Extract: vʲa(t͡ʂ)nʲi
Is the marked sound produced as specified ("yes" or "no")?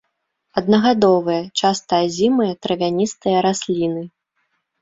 no